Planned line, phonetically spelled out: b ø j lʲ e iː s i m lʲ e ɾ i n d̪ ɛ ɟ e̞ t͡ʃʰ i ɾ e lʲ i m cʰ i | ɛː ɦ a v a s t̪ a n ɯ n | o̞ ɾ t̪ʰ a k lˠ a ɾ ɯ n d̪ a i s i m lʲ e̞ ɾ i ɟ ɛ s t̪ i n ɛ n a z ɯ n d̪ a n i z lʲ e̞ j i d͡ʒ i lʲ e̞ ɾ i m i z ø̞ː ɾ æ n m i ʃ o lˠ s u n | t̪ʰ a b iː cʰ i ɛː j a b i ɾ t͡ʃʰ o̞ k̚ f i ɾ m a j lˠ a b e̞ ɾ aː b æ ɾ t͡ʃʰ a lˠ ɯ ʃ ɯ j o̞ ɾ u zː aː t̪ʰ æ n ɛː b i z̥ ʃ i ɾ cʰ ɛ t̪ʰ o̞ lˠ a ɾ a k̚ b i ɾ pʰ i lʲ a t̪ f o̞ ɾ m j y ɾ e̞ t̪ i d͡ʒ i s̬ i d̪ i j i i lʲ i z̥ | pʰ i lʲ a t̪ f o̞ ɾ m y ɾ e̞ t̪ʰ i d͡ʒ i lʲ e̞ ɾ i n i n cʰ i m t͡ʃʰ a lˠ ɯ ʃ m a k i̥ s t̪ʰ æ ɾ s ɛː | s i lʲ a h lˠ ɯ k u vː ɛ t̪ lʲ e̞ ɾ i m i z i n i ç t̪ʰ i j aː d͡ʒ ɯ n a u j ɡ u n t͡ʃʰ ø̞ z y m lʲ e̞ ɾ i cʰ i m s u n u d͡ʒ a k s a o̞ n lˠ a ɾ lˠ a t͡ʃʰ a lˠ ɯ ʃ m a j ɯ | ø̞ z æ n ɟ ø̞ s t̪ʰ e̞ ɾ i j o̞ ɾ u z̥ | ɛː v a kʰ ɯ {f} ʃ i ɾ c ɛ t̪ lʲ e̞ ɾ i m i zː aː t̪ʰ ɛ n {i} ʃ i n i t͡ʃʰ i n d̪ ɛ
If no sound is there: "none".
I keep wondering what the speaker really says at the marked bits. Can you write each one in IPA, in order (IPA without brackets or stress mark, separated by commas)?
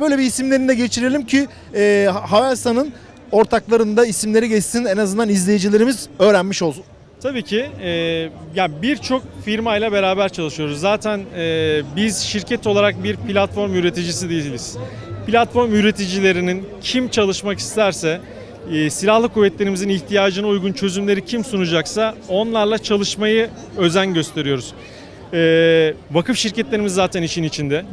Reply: f, i